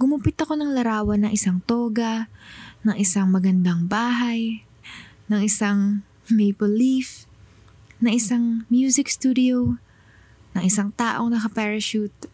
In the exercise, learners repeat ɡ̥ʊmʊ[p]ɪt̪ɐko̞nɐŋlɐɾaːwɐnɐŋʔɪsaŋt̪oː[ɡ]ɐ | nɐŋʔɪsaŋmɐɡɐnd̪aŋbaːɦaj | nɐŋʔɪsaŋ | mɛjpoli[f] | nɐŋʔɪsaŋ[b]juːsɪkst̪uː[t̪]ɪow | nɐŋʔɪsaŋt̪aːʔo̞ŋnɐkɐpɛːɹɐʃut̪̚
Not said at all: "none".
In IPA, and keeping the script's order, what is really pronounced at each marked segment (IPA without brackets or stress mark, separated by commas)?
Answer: p, ɡ, f, m, d̪